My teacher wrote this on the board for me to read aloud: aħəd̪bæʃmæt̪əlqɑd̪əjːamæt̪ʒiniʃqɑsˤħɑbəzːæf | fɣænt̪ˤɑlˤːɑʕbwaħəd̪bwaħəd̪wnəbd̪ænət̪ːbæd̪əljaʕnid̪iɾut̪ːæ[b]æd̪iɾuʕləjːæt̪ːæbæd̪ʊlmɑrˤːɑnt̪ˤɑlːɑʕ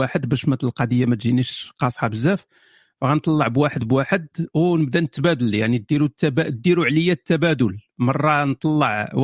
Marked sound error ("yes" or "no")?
no